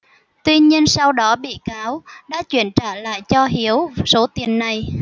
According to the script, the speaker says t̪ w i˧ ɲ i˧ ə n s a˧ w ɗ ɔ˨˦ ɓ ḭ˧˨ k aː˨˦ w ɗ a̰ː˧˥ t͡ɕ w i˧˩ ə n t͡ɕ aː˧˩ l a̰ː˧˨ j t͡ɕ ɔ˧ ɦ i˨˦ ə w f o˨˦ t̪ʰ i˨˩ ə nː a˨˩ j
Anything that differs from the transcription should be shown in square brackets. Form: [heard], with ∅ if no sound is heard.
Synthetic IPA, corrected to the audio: t̪ w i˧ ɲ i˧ ə n s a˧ w ɗ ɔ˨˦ ɓ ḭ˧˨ k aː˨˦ w ɗ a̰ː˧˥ t͡ɕ w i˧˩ ə n t͡ɕ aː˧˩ l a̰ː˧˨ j t͡ɕ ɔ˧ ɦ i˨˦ ə w [s] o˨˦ [t̪] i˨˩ ə nː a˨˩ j